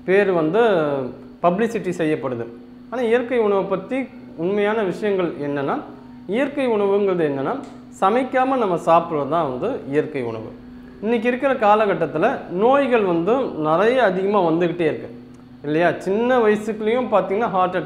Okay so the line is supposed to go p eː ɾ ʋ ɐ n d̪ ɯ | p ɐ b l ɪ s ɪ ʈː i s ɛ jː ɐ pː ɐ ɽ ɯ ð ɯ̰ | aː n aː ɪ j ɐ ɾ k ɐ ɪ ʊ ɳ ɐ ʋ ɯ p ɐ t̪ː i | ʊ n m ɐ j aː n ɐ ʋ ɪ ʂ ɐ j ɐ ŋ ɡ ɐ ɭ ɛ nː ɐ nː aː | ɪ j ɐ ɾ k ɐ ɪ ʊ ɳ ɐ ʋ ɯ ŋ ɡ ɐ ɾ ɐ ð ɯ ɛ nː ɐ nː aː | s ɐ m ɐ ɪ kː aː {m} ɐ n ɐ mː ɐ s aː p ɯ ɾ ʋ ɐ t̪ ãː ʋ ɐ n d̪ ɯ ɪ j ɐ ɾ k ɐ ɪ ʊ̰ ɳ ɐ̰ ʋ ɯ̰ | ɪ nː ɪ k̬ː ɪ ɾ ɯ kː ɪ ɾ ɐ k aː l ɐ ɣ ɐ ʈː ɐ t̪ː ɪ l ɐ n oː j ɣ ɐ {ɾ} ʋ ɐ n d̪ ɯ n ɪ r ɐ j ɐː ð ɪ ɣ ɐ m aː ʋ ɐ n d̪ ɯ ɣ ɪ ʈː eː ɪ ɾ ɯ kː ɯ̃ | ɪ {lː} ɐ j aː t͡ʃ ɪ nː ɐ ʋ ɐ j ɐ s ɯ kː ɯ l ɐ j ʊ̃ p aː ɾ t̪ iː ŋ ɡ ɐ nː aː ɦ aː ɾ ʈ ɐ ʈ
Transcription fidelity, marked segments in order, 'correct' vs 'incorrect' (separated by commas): correct, incorrect, correct